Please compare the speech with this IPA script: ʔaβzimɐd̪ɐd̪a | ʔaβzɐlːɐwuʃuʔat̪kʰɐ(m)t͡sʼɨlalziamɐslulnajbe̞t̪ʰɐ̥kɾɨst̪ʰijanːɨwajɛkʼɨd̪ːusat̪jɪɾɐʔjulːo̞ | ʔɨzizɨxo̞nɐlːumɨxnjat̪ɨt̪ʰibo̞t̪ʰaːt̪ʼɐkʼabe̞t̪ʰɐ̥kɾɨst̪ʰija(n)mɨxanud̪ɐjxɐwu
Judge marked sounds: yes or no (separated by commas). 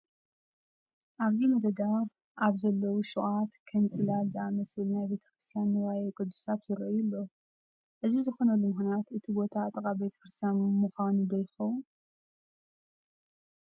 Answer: no, yes